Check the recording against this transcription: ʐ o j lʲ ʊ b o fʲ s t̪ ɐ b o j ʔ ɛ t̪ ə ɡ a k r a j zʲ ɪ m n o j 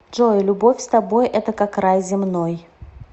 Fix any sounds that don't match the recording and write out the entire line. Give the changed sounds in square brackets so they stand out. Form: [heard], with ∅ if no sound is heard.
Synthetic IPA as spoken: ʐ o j lʲ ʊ b o fʲ s t̪ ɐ b o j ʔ ɛ t̪ ə [k] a k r a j zʲ ɪ m n o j